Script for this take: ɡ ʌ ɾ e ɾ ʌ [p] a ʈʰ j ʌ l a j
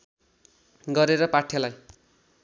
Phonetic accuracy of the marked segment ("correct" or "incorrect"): correct